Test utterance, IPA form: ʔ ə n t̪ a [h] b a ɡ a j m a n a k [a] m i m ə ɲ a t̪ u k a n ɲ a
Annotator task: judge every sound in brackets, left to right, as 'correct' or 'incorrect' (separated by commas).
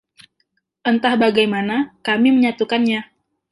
correct, correct